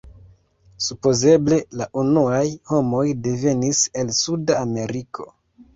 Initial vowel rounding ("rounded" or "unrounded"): rounded